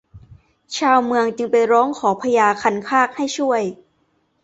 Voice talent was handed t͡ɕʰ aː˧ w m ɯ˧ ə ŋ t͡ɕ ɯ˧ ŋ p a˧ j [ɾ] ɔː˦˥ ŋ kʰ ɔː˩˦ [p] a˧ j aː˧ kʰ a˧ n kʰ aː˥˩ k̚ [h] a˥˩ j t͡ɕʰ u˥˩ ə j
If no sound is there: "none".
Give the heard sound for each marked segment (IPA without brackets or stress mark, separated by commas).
ɾ, pʰ, h